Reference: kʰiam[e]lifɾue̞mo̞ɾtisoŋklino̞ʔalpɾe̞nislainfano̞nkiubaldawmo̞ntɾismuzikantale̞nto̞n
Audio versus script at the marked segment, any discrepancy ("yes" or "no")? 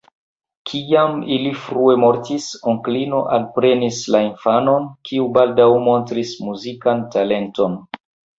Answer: yes